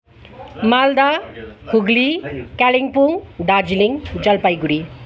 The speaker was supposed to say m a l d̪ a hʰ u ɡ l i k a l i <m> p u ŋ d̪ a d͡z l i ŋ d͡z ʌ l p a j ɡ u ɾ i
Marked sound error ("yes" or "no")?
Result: yes